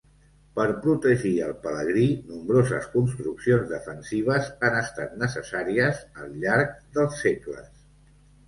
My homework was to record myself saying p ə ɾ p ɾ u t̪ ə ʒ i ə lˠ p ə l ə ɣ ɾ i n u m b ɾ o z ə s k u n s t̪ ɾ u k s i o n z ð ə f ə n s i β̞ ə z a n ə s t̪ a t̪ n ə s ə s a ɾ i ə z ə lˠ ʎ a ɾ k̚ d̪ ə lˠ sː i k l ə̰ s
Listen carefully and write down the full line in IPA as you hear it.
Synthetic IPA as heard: p ə ɾ p ɾ u t̪ ə ʒ i ə lˠ p ə l ə ɣ ɾ i n u m b ɾ o z ə s k u n s t̪ ɾ u k s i o n z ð ə f ə n s i β̞ ə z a n ə s t̪ a t̪ n ə s ə s a ɾ i ə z ə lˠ ʎ a ɾ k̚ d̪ ə lˠ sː e k l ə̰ s